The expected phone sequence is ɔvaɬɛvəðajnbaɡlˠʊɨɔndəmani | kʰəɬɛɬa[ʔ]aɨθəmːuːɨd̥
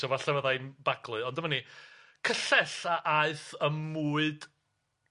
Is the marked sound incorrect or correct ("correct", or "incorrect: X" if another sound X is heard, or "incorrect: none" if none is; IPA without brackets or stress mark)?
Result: correct